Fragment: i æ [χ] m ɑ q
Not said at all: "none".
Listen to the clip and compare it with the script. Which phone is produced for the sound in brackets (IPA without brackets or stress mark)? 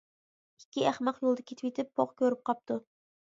χ